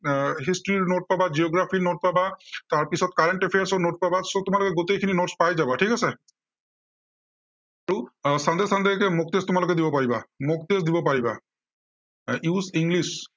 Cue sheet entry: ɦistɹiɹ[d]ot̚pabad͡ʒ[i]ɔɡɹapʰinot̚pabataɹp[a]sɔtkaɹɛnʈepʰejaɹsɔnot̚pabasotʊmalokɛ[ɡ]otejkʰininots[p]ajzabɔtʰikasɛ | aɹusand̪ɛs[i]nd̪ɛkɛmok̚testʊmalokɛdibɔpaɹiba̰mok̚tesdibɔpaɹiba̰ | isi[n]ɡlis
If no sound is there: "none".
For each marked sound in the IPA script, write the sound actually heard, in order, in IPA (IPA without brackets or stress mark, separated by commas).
n, i, i, ɡ, p, a, ŋ